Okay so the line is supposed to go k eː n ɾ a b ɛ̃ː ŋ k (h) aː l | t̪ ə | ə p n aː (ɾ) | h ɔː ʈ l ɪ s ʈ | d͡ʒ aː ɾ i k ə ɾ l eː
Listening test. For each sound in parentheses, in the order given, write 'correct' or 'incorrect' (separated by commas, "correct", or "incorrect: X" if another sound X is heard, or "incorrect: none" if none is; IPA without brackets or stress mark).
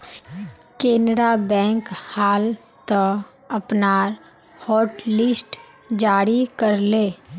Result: correct, correct